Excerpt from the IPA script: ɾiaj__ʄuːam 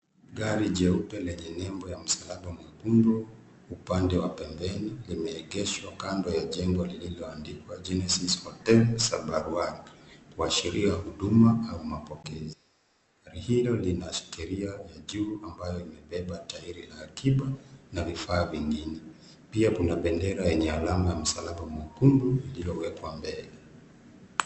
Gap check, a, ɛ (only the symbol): a